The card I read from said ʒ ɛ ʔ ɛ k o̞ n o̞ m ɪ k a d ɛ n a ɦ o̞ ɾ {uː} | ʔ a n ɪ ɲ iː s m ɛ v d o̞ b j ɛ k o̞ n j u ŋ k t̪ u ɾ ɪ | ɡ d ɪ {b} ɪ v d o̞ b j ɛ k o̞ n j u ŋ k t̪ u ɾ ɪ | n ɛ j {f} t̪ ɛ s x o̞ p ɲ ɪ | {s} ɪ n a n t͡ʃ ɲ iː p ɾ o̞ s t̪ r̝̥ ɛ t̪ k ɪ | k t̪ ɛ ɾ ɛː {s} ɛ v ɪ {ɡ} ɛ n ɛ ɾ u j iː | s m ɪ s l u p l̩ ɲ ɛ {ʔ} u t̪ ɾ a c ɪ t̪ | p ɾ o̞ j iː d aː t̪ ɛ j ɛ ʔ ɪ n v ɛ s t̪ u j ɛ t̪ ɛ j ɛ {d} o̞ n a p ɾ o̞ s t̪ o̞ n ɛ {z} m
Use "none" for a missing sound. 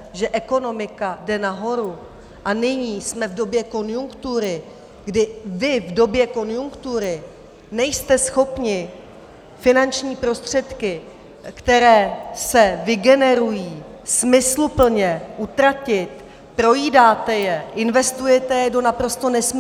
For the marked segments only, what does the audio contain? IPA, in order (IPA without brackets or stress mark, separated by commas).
u, v, s, f, s, ɡ, ʔ, d, s